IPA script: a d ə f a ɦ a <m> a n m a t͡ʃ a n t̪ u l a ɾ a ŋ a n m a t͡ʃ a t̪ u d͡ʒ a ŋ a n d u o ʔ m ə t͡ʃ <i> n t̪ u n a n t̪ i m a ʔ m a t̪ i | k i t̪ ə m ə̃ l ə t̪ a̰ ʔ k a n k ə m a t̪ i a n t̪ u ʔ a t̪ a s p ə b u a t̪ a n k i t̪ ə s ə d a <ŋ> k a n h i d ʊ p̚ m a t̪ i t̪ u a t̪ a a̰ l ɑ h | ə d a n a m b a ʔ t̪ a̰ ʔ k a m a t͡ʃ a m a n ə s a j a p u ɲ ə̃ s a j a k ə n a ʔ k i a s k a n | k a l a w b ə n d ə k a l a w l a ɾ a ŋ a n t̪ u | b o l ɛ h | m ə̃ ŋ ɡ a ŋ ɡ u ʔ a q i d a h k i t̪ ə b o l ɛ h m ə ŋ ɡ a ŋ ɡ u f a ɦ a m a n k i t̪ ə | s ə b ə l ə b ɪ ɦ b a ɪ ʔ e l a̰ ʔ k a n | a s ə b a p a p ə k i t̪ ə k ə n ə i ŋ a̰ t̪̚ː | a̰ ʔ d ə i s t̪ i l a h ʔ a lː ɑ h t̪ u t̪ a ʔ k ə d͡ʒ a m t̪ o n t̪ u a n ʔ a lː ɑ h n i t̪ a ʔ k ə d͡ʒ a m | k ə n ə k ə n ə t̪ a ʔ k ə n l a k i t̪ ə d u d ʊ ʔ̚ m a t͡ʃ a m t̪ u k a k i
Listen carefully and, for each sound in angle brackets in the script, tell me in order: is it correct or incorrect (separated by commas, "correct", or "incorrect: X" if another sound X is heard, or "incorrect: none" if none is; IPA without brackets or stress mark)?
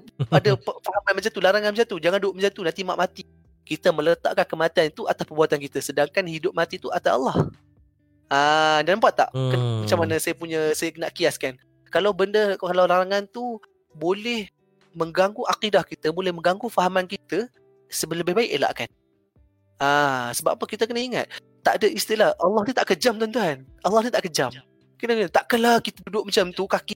correct, incorrect: a, correct